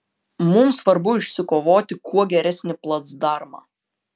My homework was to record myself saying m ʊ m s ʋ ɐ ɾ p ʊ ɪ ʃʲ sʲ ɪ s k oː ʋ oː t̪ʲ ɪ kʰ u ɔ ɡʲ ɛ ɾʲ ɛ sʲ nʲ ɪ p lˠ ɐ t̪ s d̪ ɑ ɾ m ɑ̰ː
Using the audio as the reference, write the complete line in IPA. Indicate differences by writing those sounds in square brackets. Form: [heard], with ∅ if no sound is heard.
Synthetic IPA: m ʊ m s ʋ ɐ ɾ [b] ʊ ɪ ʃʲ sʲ ɪ [∅] k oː ʋ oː t̪ʲ ɪ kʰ u ɔ ɡʲ ɛ ɾʲ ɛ sʲ nʲ ɪ p lˠ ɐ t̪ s d̪ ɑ ɾ m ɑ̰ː